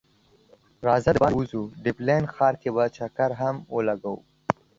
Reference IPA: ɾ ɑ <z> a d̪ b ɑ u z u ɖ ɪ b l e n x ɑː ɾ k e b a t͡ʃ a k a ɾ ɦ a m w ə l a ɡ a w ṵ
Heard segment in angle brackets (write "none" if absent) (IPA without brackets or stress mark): z